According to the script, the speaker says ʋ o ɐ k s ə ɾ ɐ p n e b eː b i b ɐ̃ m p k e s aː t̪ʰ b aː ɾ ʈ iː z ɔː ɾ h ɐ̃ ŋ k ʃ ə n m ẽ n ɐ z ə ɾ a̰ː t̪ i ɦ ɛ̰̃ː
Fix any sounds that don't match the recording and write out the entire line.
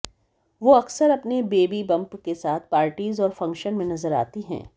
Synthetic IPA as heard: ʋ o ɐ k s ə ɾ ɐ p n e b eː b i b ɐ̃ m p k e s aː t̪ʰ p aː ɾ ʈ iː z ɔː ɾ f ɐ̃ ŋ k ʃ ə n m ẽ n ɐ z ə ɾ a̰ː t̪ i ɦ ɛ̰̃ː